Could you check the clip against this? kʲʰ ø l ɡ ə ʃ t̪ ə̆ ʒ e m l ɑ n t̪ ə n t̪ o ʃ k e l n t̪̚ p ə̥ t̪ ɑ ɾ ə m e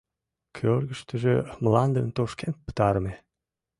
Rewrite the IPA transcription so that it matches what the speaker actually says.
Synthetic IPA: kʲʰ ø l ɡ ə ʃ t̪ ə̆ ʒ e m l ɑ n d̪ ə n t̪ o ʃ k e n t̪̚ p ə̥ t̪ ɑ ɾ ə m e